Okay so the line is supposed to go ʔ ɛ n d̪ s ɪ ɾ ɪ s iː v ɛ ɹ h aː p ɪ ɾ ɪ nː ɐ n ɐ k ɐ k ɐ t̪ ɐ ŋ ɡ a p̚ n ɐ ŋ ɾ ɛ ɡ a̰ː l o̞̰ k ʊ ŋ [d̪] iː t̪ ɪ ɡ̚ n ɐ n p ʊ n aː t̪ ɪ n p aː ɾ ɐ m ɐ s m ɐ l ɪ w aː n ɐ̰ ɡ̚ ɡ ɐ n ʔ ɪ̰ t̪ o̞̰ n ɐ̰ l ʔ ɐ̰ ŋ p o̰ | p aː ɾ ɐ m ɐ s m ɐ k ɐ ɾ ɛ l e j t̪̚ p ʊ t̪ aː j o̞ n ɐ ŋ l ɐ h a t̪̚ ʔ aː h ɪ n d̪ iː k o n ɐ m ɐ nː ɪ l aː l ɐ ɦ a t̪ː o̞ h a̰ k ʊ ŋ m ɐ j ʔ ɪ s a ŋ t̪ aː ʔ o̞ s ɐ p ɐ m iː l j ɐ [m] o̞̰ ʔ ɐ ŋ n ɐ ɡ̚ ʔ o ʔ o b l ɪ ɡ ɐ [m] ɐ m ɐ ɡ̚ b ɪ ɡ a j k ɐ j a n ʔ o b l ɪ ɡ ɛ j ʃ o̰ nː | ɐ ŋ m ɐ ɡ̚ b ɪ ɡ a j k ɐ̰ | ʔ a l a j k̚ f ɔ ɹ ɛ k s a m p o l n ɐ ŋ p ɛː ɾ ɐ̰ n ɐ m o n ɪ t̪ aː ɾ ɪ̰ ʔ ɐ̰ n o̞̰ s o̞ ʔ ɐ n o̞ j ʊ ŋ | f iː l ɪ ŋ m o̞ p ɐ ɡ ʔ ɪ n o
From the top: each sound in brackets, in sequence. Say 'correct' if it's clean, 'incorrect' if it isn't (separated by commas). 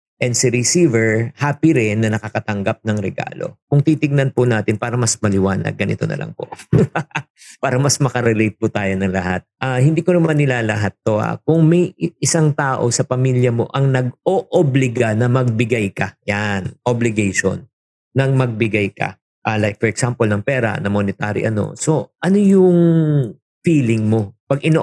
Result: incorrect, correct, incorrect